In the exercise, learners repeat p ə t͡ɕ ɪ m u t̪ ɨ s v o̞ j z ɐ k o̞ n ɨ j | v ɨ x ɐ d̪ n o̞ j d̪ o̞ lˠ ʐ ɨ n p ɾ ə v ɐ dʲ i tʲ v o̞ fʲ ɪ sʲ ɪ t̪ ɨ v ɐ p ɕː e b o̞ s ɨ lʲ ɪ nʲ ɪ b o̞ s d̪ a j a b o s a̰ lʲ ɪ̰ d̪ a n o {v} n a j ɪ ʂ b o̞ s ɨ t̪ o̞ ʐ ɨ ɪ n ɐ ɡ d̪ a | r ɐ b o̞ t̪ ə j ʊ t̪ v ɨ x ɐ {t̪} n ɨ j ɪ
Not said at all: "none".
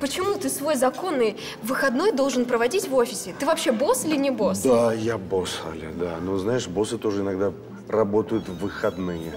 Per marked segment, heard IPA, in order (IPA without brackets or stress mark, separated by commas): z, d̪